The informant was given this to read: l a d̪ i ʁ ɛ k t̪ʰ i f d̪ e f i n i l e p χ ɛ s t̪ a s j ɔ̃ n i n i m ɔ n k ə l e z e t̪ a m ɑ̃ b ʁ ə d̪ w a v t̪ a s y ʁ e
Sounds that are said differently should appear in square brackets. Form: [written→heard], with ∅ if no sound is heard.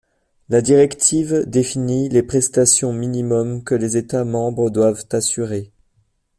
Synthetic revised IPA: l a d̪ i ʁ ɛ k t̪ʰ i [f→v] d̪ e f i n i l e p χ ɛ s t̪ a s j ɔ̃ [n→m] i n i m ɔ [n→m] k ə l e z e t̪ a m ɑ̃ b ʁ ə d̪ w a v t̪ a s y ʁ e

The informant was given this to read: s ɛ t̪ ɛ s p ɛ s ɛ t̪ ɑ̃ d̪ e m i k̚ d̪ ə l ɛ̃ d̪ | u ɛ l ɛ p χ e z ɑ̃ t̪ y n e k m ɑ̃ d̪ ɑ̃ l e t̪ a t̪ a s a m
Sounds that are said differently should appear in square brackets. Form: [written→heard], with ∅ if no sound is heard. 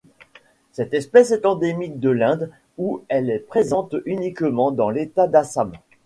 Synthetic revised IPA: s ɛ t̪ ɛ s p ɛ s ɛ t̪ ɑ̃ d̪ e m i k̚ d̪ ə l ɛ̃ d̪ | u ɛ l ɛ p χ e z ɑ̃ t̪ y n [e→i] k m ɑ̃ d̪ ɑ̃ l e t̪ a [t̪→d̪] a s a m

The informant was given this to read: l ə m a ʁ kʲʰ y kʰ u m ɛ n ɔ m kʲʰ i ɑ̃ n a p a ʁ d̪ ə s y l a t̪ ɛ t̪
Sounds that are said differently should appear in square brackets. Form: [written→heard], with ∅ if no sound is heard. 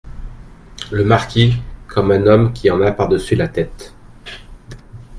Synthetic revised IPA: l ə m a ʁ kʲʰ [y→i] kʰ [u→ɔ] m [ɛ→ɛ̃] n ɔ m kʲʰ i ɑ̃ n a p a ʁ d̪ ə s y l a t̪ ɛ t̪

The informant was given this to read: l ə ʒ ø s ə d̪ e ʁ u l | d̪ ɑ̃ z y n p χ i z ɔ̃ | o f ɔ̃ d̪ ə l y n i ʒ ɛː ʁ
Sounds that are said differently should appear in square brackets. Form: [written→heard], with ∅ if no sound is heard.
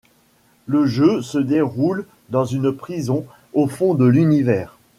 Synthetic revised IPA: l ə ʒ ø s ə d̪ e ʁ u l | d̪ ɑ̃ z y n p χ i z ɔ̃ | o f ɔ̃ d̪ ə l y n i [ʒ→v] ɛː ʁ

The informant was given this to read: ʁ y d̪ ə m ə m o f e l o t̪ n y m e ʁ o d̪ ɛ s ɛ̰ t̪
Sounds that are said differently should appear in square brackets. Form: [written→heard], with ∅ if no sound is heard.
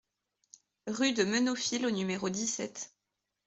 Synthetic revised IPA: ʁ y d̪ ə m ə [m→n] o f [e→i] l o [t̪→∅] n y m e ʁ o d̪ [ɛ→i] s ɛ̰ t̪

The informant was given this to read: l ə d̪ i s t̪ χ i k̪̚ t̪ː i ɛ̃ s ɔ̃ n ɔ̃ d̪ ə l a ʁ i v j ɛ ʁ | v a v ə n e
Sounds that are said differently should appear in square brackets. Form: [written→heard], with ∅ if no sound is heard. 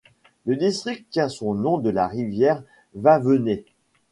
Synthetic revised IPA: l ə d̪ i s t̪ χ i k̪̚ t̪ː [i→j] ɛ̃ s ɔ̃ n ɔ̃ d̪ ə l a ʁ i v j ɛ ʁ | v a v ə n e

